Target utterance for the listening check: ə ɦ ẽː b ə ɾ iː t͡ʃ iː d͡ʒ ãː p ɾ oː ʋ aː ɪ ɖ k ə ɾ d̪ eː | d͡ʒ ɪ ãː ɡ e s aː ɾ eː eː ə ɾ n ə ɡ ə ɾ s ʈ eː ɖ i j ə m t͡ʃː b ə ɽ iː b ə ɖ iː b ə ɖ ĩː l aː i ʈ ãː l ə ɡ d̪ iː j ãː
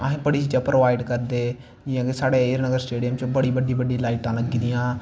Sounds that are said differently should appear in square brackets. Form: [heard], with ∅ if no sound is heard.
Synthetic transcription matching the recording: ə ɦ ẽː b ə [ɽ] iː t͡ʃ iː d͡ʒ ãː p ɾ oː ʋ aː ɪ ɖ k ə ɾ d̪ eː | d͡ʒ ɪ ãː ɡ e s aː [ɽ] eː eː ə ɾ n ə ɡ ə ɾ s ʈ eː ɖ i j ə m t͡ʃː b ə ɽ iː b ə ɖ iː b ə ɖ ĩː l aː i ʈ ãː l ə ɡ d̪ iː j ãː